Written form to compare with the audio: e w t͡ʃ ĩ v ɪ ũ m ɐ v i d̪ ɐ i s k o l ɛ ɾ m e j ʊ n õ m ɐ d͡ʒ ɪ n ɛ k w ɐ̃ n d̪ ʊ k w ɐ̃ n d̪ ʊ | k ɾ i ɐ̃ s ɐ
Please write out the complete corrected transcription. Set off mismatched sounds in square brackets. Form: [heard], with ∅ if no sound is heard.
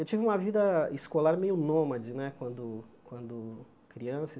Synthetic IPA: e w t͡ʃ [i] v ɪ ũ m ɐ v i d̪ ɐ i s k o l [a] ɾ m e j ʊ n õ m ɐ d͡ʒ ɪ n ɛ k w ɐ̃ n d̪ ʊ k w ɐ̃ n d̪ ʊ | k ɾ i ɐ̃ s ɐ